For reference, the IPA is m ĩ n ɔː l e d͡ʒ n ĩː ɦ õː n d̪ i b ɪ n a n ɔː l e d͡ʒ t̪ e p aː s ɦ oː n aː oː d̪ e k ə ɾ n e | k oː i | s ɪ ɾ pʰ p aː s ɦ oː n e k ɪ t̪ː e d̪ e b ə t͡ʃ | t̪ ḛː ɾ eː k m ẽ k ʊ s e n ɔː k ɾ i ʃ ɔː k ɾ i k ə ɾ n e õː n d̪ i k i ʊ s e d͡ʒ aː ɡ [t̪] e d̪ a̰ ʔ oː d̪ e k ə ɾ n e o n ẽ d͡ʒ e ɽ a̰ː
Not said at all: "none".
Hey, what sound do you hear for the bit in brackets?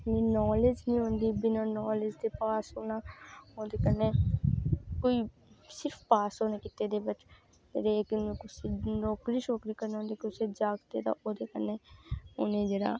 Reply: t̪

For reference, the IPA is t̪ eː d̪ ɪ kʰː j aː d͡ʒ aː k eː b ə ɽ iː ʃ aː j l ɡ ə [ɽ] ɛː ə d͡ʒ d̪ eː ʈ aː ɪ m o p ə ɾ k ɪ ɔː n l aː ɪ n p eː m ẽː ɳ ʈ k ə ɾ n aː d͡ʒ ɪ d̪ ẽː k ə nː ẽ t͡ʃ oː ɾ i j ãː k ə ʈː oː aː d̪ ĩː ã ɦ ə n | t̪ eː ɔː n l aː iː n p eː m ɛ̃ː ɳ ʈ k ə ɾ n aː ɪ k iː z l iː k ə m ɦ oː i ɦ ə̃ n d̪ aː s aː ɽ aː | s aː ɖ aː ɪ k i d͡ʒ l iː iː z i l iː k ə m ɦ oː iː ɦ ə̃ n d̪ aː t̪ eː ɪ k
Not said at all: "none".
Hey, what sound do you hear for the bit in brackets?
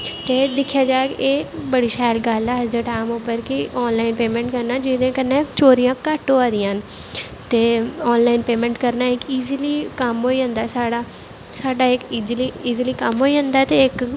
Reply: l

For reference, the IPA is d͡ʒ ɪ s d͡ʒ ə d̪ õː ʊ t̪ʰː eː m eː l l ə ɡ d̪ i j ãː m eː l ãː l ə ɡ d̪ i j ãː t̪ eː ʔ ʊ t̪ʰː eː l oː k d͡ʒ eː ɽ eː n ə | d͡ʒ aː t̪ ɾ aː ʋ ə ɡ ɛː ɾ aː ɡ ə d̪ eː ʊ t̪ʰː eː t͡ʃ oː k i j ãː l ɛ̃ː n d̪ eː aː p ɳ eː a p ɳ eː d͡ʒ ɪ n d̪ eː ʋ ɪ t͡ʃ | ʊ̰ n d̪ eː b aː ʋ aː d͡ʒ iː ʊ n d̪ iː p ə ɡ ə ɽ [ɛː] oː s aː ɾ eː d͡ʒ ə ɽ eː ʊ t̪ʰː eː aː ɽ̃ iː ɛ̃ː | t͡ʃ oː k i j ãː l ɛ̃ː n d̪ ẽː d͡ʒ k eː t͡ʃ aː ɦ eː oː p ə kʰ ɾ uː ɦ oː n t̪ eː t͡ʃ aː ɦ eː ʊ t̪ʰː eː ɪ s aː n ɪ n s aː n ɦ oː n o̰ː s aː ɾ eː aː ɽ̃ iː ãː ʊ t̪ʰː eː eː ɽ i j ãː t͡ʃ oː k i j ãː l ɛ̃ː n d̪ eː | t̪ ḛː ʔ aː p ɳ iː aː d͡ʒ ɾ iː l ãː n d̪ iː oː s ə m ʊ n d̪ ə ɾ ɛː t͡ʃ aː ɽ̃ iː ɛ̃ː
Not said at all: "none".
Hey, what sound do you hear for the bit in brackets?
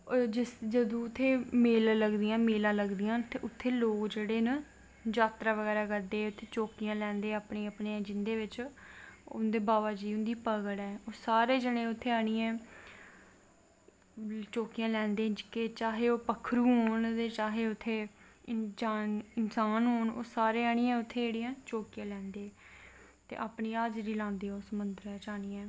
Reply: ɛː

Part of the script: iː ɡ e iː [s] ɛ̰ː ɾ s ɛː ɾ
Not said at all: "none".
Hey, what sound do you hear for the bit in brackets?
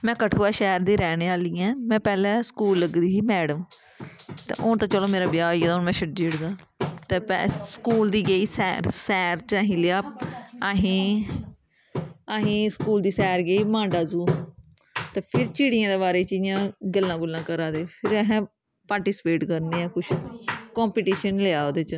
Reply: s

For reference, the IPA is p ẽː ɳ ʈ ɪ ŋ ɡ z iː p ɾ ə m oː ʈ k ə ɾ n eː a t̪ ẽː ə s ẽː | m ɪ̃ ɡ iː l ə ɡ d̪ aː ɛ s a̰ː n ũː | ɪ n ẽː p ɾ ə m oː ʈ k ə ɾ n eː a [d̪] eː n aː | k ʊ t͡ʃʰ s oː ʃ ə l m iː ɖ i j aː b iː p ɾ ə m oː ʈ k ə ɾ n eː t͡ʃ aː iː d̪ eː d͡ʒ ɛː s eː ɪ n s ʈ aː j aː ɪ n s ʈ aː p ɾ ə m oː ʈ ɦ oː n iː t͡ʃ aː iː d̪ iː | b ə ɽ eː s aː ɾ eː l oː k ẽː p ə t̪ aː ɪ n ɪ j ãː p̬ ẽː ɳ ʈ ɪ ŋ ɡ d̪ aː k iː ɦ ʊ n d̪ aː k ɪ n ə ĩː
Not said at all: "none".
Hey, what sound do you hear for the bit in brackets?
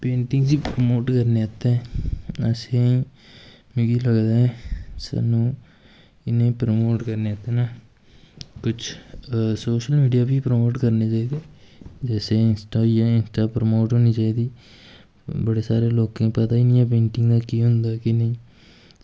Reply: t̪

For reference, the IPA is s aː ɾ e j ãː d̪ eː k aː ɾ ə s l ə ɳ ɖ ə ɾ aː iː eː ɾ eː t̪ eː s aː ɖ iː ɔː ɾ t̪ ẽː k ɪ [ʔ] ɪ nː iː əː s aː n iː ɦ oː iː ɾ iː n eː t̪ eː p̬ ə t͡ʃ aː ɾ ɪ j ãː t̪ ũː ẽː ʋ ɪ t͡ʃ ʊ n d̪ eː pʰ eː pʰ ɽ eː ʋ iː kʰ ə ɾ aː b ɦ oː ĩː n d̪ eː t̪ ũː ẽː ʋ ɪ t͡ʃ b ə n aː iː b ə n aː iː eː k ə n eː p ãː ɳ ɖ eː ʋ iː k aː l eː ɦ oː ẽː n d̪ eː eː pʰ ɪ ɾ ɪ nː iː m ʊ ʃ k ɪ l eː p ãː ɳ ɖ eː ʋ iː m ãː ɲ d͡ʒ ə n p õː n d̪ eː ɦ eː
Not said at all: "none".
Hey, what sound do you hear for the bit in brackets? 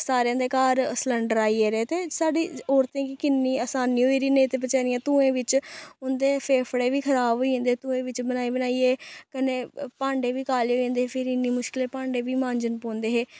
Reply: k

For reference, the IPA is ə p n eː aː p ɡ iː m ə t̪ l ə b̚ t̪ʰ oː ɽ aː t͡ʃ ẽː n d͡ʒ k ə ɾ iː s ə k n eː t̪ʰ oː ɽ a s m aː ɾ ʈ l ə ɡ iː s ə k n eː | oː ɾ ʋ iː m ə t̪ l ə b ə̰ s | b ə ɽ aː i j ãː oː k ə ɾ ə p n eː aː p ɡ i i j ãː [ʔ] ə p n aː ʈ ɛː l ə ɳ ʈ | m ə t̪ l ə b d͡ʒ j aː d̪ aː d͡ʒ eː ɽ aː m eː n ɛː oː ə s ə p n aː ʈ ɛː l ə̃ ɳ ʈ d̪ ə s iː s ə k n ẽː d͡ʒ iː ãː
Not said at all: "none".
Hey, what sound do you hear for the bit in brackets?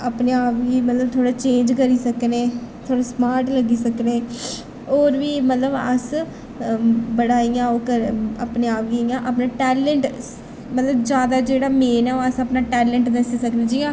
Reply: ʔ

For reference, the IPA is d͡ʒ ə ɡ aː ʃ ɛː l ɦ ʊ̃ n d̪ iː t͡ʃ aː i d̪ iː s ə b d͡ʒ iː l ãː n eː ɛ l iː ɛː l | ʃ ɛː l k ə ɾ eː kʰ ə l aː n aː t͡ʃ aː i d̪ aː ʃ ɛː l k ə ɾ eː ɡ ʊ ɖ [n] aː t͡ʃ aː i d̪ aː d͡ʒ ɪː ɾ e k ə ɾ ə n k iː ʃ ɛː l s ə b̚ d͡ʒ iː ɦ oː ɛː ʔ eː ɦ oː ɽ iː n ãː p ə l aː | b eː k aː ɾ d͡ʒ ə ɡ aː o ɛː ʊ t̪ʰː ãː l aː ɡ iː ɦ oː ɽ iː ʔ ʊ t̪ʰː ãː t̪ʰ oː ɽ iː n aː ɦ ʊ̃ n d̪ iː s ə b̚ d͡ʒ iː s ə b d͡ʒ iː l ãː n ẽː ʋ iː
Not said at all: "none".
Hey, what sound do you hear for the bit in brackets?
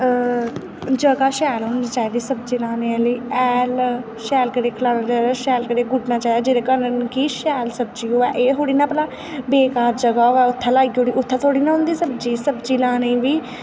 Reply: n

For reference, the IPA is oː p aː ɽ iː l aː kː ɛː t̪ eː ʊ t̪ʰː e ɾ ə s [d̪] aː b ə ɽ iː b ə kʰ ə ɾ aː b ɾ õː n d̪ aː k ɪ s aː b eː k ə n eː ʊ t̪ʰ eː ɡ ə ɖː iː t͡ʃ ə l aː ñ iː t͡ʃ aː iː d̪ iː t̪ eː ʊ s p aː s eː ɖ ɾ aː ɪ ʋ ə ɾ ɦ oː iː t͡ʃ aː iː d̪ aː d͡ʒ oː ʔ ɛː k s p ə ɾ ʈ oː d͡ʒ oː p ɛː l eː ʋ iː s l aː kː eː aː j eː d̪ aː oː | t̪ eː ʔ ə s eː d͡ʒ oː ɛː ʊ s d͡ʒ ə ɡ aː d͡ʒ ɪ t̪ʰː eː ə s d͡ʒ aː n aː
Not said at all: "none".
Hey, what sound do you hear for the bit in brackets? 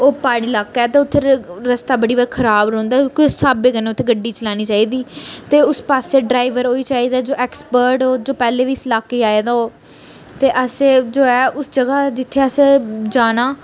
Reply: t̪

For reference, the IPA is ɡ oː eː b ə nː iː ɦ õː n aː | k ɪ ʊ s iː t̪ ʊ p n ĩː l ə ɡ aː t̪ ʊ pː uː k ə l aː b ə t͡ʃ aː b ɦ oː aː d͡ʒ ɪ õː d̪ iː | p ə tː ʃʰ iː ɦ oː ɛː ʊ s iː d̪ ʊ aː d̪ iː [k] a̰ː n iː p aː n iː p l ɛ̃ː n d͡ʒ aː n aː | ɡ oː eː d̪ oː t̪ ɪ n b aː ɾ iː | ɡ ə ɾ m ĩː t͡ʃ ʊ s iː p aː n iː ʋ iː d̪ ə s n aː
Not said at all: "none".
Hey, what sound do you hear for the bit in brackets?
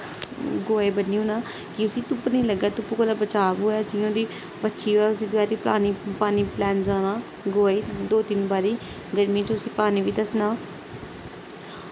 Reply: p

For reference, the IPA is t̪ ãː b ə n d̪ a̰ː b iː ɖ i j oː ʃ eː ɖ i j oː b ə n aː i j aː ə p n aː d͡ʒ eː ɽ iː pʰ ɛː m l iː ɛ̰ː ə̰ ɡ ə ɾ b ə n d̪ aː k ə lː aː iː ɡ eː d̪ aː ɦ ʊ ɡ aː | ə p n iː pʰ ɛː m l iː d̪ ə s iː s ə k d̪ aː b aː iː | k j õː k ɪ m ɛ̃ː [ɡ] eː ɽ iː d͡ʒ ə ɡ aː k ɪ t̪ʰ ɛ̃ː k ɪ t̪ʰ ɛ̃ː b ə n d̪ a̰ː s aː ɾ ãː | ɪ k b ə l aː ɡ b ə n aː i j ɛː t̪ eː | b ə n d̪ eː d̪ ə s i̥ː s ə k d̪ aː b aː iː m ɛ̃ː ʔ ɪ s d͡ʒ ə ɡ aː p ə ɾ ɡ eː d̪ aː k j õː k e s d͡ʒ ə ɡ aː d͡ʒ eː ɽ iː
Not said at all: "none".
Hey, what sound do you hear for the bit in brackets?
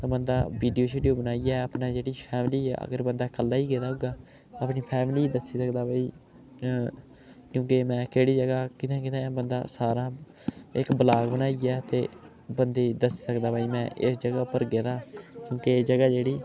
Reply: k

